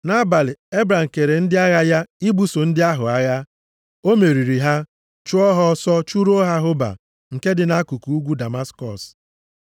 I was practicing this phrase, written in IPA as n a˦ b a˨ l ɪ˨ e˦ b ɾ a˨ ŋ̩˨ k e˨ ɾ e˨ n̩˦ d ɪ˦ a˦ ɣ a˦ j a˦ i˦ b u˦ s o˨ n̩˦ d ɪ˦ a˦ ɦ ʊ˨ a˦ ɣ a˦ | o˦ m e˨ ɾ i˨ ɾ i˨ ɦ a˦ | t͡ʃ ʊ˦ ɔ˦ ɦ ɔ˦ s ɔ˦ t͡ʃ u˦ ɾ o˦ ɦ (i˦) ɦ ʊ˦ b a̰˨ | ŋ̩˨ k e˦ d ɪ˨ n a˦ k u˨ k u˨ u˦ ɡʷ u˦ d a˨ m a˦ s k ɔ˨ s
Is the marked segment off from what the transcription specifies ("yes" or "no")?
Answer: yes